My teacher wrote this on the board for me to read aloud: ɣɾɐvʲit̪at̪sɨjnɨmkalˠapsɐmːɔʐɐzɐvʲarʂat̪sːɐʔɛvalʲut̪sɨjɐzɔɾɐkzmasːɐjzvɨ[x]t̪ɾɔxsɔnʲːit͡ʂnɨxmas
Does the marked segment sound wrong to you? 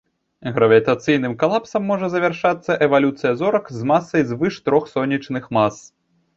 yes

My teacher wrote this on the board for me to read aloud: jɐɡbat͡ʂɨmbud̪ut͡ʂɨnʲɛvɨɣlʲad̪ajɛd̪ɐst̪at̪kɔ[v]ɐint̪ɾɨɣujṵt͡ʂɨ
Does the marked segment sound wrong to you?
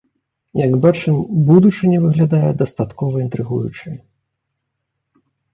no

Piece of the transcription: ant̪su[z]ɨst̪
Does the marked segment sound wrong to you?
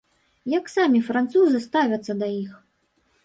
no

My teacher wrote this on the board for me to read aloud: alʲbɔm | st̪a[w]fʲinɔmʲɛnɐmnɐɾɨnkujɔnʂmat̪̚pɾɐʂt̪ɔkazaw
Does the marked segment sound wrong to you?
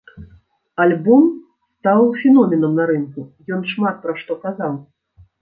no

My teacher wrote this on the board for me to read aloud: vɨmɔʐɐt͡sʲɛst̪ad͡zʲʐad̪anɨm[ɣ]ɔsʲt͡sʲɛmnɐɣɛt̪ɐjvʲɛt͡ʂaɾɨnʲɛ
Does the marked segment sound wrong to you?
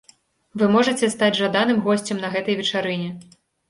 no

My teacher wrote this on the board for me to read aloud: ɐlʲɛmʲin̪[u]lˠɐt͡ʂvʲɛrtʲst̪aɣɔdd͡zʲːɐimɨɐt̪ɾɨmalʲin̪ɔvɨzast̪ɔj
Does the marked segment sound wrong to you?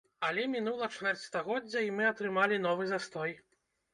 no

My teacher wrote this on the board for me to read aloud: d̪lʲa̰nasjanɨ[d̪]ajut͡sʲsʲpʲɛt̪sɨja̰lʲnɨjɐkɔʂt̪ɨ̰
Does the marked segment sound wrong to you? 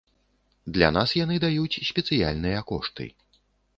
no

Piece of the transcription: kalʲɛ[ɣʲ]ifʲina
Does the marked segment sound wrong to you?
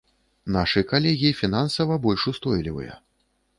no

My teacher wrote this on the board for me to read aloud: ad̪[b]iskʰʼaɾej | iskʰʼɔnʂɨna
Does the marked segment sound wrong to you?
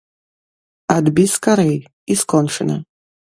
no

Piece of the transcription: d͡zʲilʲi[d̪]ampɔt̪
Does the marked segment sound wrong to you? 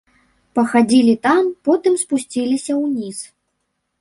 yes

